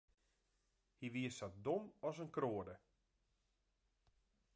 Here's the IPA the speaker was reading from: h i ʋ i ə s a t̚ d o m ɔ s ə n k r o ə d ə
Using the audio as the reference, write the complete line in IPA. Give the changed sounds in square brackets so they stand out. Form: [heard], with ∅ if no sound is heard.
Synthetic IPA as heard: h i ʋ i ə s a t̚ d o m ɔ s ə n k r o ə d ə

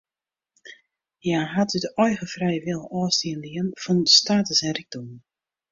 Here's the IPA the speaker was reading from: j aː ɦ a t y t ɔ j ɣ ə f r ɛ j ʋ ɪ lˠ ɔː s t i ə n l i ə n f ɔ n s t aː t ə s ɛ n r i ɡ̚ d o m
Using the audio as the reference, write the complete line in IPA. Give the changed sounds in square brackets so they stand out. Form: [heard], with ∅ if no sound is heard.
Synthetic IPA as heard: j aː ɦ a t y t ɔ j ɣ ə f r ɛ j ʋ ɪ lˠ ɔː s t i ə n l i ə n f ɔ n s t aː t ə s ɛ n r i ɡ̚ d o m

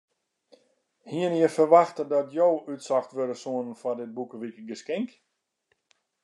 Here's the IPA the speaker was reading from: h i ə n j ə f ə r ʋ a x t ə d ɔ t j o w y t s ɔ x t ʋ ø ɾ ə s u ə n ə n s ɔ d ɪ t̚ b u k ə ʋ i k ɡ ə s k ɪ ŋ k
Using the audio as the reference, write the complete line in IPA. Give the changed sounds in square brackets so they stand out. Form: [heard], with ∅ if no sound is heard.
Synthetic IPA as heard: h i ə n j ə f ə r ʋ a x t ə d ɔ t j o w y t s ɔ x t ʋ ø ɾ ə s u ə n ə n [f] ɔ d ɪ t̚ b u k ə ʋ i k ɡ ə s k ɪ ŋ k

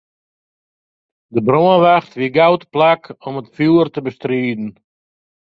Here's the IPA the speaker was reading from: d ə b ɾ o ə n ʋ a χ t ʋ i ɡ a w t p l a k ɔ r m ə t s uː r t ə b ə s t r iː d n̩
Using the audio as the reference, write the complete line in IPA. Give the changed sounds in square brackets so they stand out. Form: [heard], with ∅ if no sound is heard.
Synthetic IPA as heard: d ə b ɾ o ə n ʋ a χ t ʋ i ɡ a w t p l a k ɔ [∅] m ə t [f] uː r t ə b ə s t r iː d n̩

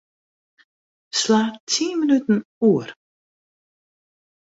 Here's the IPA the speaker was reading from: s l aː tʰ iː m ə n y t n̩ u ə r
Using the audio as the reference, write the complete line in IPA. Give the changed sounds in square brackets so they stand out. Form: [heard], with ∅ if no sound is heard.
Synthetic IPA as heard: s l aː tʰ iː m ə n y t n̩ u ə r

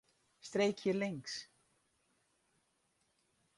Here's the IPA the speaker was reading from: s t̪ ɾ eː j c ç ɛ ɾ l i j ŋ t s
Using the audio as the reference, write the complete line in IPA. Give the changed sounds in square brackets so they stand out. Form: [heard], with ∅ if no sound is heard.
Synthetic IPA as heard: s t̪ ɾ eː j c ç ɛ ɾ l [e] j ŋ [k] s

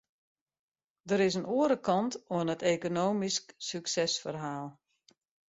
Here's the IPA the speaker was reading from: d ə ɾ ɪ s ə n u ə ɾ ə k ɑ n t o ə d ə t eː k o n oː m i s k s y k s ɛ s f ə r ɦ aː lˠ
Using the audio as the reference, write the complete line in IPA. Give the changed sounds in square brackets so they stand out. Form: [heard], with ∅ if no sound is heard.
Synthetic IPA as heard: d ə ɾ ɪ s ə n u ə ɾ ə k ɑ n t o ə [n] ə t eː k o n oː m i s k s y k s ɛ s f ə r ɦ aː lˠ

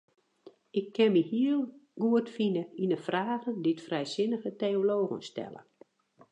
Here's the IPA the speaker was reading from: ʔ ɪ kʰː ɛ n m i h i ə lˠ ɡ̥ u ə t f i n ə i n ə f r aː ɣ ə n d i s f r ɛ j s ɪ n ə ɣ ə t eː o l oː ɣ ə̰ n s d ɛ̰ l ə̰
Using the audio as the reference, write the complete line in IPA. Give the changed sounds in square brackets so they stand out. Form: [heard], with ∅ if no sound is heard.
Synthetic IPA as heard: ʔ ɪ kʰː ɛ n m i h i ə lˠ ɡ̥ u ə t f i n ə i n ə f r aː ɣ ə n d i [t] f r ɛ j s ɪ n ə ɣ ə t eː o l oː ɣ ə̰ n s [t] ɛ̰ l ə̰

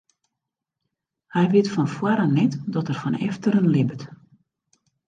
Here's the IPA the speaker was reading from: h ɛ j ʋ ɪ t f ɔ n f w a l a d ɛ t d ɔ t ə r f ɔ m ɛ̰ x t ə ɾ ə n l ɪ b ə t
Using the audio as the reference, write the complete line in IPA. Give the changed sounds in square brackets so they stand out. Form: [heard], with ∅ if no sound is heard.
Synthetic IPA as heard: h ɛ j ʋ ɪ t f ɔ n f w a [ɾ] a [n] ɛ t d ɔ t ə r f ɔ [n] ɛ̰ [f] t ə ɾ ə n l ɪ b ə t

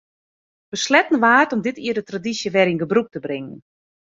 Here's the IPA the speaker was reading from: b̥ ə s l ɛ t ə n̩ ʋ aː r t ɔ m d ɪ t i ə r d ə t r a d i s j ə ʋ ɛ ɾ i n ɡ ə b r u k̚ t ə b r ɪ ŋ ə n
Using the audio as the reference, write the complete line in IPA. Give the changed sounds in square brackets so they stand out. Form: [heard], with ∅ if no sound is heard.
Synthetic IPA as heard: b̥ ə s l ɛ t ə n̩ ʋ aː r t ɔ m d ɪ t i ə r d ə t r a d i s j ə ʋ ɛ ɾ i n ɡ ə b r u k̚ t ə b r ɪ ŋ ə n

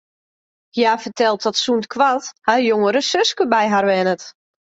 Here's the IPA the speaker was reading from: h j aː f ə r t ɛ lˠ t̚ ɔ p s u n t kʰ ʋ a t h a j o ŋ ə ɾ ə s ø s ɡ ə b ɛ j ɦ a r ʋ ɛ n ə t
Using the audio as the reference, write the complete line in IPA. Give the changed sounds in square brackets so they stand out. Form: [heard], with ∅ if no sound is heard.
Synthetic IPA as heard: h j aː f ə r t ɛ lˠ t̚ ɔ [t] s u n t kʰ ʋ a t h a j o ŋ ə ɾ ə s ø s [k] ə b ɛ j ɦ a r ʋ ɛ n ə t

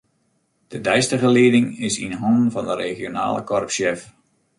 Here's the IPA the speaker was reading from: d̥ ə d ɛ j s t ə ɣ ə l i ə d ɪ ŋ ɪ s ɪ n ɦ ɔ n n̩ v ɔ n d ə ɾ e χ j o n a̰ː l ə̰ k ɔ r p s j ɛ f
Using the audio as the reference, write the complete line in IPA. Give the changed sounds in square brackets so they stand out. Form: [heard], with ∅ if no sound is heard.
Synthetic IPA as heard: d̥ ə d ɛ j s t ə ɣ ə l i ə d ɪ ŋ ɪ s [i] n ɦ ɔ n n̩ v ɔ n d ə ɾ e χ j o n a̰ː l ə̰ k ɔ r p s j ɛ f

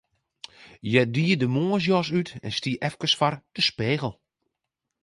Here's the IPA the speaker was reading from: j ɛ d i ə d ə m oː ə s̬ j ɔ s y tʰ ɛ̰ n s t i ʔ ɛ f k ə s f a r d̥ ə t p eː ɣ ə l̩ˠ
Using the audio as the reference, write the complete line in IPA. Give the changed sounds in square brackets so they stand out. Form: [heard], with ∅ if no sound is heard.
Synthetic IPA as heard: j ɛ d i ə d ə m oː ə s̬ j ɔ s y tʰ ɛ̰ n s t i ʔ ɛ f k ə s f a r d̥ ə [s] p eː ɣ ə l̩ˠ

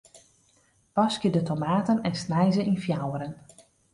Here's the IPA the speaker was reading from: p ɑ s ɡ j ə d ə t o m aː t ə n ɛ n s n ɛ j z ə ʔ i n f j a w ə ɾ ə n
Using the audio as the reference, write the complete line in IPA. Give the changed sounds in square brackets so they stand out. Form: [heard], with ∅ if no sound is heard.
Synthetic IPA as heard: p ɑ s [k] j ə d ə t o m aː t ə n ɛ n s n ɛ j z ə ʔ i n f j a w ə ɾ ə n

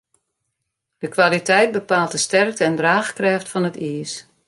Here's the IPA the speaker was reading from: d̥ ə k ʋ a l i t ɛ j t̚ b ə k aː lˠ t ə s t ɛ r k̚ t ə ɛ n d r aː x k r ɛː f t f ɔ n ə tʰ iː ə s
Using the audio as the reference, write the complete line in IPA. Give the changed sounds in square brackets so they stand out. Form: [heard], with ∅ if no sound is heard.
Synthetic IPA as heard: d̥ ə k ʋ a l i t ɛ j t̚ b ə [p] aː lˠ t ə s t ɛ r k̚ t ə ɛ n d r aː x k r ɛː f t f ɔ n ə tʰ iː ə s

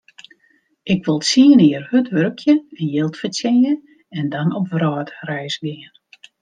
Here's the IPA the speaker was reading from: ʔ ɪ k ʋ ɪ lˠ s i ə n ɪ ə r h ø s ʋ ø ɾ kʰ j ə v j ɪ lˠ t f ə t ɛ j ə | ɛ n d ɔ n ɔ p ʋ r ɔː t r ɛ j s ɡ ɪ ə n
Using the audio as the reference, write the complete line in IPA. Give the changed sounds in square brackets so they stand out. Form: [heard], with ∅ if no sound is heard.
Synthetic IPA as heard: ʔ ɪ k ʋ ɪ lˠ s i ə n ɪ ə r h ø [t] ʋ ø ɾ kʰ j ə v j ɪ lˠ t f ə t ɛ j ə | ɛ n d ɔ n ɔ p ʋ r ɔː t r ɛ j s ɡ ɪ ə n

